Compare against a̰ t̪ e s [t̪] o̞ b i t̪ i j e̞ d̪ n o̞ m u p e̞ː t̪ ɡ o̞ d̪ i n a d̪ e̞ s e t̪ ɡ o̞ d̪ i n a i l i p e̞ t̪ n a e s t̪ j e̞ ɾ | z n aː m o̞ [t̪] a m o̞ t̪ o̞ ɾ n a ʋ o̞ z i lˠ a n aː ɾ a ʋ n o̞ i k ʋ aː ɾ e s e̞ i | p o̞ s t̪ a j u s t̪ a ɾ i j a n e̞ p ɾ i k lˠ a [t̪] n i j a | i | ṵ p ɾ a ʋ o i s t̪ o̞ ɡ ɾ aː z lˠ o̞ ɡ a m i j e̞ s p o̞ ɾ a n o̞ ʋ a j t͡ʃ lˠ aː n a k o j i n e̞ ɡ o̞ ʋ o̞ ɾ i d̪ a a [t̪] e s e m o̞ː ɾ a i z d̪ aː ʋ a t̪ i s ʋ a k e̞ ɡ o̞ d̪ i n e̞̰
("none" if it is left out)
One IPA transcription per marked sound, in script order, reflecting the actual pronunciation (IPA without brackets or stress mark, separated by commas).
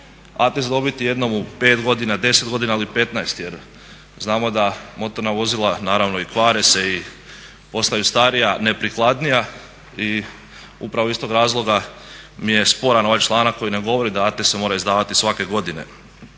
d̪, d̪, d̪, t̪